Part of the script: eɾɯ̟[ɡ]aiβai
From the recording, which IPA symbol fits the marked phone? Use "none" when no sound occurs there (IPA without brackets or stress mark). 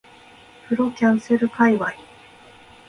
k